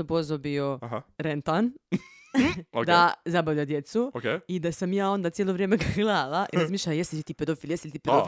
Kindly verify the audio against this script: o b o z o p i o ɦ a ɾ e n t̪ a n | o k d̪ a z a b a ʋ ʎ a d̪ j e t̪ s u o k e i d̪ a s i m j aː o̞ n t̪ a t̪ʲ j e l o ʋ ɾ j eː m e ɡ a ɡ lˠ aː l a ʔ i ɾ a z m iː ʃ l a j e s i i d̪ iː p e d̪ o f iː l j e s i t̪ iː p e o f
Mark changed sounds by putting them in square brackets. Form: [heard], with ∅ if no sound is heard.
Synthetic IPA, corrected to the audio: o b o z o [b] i o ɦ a ɾ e n t̪ a n | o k d̪ a z a b a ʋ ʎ a d̪ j e t̪ s u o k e i d̪ a s [a] m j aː o̞ n [d̪] a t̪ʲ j e l o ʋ ɾ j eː m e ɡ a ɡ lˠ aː l a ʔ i ɾ a z m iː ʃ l a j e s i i [t̪] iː p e d̪ o f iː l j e s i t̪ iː p e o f